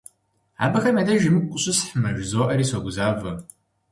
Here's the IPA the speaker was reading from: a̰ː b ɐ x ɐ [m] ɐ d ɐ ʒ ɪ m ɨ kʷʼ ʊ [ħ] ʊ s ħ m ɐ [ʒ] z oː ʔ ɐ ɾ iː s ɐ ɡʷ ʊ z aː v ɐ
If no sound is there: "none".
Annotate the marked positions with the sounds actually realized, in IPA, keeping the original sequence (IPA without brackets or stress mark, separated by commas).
m, ɕ, ʒ